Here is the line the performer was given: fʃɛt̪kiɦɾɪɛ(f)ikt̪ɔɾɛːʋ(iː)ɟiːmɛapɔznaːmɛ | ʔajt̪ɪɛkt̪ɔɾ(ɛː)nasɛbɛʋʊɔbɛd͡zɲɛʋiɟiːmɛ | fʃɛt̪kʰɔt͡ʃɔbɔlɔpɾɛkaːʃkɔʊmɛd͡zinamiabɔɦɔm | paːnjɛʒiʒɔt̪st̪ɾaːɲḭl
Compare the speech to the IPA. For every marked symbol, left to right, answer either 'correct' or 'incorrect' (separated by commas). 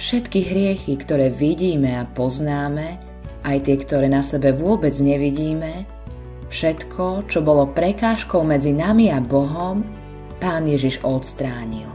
incorrect, incorrect, correct